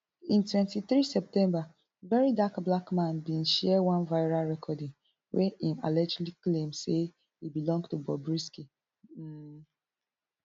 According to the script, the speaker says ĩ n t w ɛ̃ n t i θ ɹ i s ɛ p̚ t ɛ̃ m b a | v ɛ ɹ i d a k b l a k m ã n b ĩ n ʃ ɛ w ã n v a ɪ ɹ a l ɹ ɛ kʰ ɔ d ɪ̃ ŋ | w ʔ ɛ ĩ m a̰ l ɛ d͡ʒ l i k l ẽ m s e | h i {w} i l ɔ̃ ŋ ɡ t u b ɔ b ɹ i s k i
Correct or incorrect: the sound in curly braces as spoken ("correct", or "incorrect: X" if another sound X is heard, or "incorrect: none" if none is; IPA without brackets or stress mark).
incorrect: b